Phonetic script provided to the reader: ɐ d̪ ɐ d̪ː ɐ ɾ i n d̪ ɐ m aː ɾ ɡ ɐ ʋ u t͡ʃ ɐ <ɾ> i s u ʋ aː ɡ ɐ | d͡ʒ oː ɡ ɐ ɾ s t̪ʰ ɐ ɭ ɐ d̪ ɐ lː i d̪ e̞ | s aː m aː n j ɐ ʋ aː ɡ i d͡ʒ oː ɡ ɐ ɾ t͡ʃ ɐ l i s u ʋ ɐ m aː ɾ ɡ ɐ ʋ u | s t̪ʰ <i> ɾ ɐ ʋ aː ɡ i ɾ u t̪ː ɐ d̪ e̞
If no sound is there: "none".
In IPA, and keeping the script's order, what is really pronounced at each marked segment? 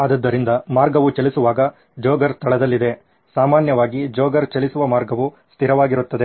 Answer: l, i

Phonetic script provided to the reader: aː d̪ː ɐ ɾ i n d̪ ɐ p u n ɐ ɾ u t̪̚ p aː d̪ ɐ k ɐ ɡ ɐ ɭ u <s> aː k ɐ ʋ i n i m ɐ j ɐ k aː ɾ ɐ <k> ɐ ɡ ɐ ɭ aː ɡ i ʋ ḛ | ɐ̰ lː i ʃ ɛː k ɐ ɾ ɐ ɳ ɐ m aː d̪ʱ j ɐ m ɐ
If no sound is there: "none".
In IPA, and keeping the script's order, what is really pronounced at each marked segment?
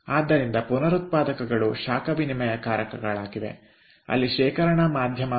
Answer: ʃ, k

